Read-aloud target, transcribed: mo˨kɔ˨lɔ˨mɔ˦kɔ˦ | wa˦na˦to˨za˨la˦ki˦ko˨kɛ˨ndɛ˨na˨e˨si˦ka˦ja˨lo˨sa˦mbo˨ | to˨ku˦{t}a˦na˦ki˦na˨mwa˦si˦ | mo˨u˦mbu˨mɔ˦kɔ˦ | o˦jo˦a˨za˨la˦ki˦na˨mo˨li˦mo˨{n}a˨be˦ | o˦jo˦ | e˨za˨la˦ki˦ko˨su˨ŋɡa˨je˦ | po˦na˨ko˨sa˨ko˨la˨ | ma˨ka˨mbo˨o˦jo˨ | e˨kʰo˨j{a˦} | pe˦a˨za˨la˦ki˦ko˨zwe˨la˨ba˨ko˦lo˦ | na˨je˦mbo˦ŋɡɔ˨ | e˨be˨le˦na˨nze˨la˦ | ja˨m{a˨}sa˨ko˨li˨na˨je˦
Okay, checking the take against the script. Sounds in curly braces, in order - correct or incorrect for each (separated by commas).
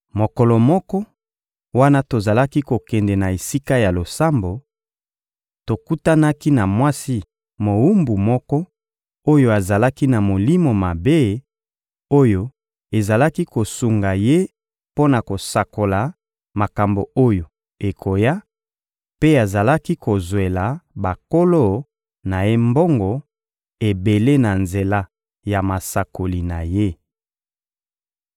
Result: correct, incorrect, correct, correct